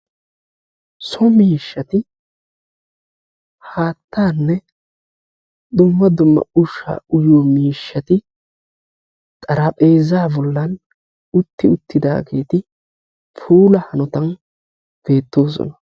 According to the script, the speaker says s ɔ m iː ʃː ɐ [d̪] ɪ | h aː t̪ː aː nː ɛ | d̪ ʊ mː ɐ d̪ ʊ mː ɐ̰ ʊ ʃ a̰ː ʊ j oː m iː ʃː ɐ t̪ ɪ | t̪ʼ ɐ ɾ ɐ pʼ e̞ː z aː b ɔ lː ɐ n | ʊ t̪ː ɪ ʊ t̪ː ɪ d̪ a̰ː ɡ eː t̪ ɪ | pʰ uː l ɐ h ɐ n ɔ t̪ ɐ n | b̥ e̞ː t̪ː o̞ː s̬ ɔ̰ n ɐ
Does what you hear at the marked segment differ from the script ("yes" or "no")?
yes